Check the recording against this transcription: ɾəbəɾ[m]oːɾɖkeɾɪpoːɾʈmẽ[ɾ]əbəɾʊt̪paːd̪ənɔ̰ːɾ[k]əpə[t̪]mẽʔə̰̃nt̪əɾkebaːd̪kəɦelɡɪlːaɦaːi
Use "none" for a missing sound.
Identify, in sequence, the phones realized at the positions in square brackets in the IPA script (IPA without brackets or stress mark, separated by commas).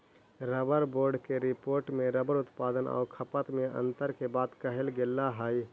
b, ɾ, kʰ, t̪